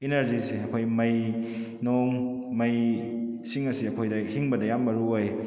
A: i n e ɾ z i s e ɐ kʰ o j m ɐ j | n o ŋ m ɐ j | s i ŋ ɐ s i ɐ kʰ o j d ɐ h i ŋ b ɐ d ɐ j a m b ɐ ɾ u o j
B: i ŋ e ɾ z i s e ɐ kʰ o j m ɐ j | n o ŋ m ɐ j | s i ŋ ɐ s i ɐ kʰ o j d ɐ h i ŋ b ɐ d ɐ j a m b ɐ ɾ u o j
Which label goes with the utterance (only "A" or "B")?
A